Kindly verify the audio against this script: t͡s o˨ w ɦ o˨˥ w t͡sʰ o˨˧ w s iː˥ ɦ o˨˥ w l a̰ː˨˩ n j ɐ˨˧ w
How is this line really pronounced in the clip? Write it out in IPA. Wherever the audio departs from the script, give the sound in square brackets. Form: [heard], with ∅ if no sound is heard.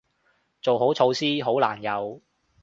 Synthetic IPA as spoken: t͡s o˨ w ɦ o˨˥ w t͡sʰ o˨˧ w s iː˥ ɦ o˨˥ w l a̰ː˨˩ n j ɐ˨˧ w